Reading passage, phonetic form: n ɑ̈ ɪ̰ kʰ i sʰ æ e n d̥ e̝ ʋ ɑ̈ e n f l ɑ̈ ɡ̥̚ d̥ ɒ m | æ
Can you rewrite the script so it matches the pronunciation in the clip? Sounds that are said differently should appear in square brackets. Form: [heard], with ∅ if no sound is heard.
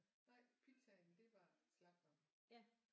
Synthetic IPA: n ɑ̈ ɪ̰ [pʰ] i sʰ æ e n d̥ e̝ ʋ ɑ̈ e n [s] l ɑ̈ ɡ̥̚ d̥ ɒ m | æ